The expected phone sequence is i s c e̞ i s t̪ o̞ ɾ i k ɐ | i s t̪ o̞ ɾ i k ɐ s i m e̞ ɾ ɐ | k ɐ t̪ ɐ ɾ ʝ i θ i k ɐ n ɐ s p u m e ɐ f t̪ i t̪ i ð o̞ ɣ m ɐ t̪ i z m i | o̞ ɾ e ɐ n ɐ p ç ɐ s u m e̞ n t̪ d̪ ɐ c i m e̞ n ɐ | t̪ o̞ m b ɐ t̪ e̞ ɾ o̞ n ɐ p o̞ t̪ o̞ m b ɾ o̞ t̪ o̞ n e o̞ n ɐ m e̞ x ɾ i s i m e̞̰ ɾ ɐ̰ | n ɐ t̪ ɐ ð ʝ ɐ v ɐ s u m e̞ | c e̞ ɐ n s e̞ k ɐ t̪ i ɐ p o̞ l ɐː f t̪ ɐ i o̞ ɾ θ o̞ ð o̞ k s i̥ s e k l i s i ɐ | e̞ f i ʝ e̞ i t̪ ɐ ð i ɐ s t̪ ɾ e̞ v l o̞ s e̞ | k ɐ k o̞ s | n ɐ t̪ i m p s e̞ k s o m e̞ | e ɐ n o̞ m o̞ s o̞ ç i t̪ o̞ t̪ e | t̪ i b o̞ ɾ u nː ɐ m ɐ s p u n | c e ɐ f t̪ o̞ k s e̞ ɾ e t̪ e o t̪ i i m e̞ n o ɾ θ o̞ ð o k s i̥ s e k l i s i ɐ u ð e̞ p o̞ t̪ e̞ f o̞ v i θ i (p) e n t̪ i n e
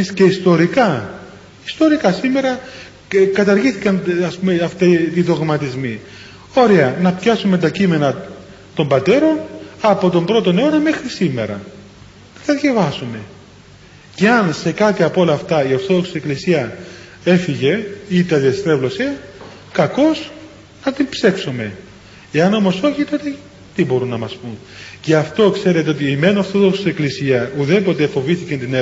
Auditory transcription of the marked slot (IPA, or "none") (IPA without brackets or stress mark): c